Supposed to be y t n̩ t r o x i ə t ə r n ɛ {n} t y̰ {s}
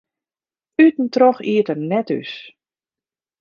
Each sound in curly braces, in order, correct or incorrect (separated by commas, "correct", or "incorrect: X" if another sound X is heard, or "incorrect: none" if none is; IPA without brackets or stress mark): incorrect: none, correct